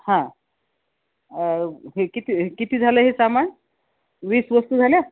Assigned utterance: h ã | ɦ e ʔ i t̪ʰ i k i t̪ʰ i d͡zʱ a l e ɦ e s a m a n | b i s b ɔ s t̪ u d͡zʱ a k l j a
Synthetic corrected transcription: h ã | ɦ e k i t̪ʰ i k i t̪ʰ i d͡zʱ a l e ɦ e s a m a n | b i s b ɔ s t̪ u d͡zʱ a l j a